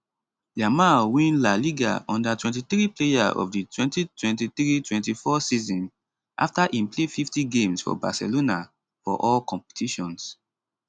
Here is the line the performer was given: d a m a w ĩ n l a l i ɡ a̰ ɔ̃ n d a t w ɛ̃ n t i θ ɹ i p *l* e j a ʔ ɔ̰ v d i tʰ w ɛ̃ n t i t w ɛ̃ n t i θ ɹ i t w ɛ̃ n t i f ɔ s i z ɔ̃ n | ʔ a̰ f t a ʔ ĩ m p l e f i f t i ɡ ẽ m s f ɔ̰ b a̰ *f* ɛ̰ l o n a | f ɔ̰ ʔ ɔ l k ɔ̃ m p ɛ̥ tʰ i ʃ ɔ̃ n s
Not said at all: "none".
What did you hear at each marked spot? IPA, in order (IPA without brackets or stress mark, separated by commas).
l, s